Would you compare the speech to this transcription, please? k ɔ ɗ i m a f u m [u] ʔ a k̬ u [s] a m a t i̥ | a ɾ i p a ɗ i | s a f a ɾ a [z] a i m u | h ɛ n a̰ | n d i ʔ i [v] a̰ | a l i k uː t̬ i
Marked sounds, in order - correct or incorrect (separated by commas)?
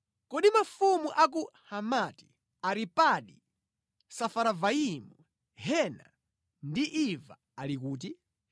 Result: correct, incorrect, incorrect, correct